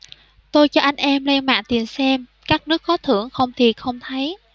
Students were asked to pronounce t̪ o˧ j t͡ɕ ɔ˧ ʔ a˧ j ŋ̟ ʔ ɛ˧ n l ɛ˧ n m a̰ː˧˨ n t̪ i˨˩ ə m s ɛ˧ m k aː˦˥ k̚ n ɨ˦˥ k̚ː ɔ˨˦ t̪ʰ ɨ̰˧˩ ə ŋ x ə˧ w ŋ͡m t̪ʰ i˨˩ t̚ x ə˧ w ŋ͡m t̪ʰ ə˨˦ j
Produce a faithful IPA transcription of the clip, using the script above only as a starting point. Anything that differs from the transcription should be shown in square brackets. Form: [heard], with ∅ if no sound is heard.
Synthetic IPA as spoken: t̪ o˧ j t͡ɕ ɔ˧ ʔ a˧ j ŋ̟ ʔ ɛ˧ [m] l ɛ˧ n m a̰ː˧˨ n t̪ i˨˩ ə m s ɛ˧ m k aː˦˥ k̚ n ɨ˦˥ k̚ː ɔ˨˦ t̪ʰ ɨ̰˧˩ ə ŋ x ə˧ w ŋ͡m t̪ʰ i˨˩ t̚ x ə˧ w ŋ͡m t̪ʰ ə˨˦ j